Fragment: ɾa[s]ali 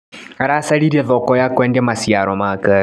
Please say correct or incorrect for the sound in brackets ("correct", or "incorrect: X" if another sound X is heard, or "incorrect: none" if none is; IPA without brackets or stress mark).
correct